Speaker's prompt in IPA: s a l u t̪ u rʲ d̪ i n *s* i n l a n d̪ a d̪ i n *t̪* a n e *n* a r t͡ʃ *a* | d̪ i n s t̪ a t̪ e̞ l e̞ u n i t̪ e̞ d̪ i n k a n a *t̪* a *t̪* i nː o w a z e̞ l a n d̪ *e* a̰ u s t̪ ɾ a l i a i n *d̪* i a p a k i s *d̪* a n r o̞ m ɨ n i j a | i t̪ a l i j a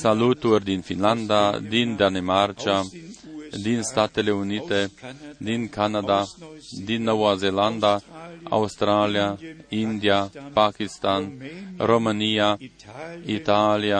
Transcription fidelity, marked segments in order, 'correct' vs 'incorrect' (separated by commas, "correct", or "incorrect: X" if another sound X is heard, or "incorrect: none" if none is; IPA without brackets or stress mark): incorrect: f, incorrect: d̪, incorrect: m, correct, incorrect: d̪, incorrect: d̪, incorrect: a, correct, incorrect: t̪